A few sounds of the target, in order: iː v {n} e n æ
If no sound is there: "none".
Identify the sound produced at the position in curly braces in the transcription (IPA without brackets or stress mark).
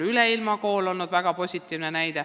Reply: n